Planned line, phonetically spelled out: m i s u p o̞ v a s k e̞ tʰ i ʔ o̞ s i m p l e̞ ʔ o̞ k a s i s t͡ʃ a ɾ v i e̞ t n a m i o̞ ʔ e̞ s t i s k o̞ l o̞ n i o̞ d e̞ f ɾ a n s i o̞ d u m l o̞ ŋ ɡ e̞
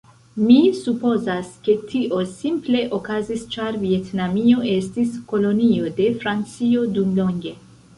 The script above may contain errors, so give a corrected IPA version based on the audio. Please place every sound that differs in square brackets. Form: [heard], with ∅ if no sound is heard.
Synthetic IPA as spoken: m i s u p o̞ [z] a s k e̞ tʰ i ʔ o̞ s i m p l e̞ ʔ o̞ k a [z] i s t͡ʃ a ɾ v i e̞ t n a m i o̞ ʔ e̞ s t i s k o̞ l o̞ n i o̞ d e̞ f ɾ a n [t͡s] i o̞ d u m l o̞ ŋ ɡ e̞